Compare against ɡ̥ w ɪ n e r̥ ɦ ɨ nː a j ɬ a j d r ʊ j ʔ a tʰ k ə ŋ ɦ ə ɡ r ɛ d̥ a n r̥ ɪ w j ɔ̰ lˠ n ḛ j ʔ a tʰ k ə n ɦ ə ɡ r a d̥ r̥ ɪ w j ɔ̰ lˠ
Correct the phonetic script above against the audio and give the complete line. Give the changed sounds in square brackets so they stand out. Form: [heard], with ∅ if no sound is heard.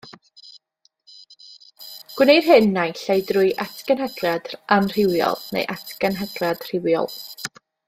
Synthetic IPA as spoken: ɡ̥ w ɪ n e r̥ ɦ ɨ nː a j ɬ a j d r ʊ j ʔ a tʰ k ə [n] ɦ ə ɡ r [a] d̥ a n r̥ ɪ w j ɔ̰ lˠ n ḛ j ʔ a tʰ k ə n ɦ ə ɡ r a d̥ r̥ ɪ w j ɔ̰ lˠ

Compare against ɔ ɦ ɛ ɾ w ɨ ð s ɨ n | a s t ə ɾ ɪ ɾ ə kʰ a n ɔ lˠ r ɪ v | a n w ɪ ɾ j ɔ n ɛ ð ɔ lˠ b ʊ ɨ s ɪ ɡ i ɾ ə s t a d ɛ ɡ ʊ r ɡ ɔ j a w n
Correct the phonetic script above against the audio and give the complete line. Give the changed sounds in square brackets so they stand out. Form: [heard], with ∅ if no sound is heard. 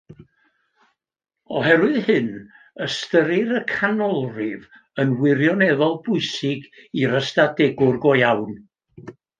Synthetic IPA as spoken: ɔ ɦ ɛ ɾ w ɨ ð [h] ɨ n | [ə] s t ə ɾ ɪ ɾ ə kʰ a n ɔ lˠ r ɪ v | [ə] n w ɪ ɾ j ɔ n ɛ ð ɔ lˠ b ʊ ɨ s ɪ ɡ i ɾ ə s t a d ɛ ɡ ʊ r ɡ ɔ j a w n

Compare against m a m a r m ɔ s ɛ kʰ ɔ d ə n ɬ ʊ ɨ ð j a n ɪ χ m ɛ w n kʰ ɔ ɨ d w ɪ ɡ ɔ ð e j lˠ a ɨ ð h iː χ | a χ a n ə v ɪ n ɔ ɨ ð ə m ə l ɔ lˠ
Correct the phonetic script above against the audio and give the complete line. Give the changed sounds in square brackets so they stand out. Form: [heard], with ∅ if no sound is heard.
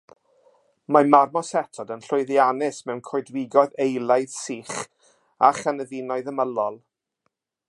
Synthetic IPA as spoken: m a m a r m ɔ s ɛ [tʰ] ɔ d ə n ɬ ʊ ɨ ð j a n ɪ [s] m ɛ w n kʰ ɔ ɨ d w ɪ ɡ ɔ ð e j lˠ a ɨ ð [s] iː χ | a χ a n ə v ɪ n ɔ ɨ ð ə m ə l ɔ lˠ

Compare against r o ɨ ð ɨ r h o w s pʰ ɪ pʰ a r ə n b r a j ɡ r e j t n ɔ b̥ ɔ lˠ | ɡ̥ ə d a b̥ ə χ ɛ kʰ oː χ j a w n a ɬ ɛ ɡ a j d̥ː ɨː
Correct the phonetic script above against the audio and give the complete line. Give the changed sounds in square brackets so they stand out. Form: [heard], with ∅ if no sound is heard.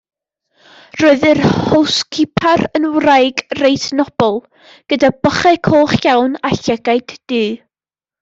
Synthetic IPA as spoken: r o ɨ ð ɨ r h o w s [kʰ] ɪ pʰ a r ə n [w] r a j ɡ r e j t n ɔ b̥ ɔ lˠ | ɡ̥ ə d a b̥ ə χ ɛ kʰ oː χ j a w n a ɬ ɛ ɡ a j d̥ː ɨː

